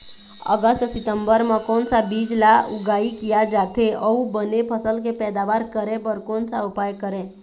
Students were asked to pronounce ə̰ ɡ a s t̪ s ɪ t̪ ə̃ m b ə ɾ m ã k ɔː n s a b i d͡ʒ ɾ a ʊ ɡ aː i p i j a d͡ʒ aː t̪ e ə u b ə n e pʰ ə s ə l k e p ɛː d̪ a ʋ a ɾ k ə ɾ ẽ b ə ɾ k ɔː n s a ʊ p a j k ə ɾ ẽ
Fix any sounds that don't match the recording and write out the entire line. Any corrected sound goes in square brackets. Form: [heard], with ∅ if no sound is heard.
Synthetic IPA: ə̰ ɡ [ə] s t̪ s ɪ t̪ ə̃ m b ə ɾ m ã k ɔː n s a b i d͡ʒ [l] a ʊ ɡ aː i [k] i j a d͡ʒ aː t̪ e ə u b ə n e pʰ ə s ə l k e p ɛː d̪ a ʋ a ɾ k ə ɾ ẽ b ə ɾ k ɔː n s a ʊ p a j k ə ɾ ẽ